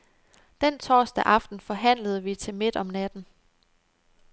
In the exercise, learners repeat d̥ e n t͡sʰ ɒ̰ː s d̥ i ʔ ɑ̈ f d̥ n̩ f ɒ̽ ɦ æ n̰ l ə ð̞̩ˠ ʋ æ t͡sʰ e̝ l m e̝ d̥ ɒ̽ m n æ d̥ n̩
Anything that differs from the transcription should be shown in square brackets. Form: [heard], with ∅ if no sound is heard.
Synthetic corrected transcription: d̥ e n t͡sʰ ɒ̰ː s d̥ [æ] ʔ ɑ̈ f d̥ n̩ f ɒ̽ ɦ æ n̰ l ə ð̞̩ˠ ʋ [i] t͡sʰ e̝ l m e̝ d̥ ɒ̽ m n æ d̥ n̩